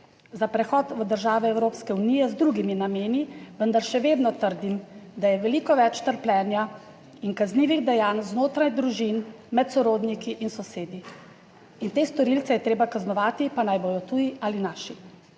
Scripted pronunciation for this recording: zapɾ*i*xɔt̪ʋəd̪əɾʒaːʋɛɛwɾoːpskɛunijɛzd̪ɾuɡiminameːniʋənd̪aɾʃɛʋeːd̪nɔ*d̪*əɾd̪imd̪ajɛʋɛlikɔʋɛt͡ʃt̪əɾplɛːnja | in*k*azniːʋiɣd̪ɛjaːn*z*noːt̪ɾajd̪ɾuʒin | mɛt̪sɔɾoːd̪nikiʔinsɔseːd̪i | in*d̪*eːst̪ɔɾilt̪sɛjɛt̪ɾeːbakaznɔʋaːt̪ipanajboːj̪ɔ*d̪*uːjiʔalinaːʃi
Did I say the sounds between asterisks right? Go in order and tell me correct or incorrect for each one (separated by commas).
incorrect, incorrect, correct, correct, incorrect, incorrect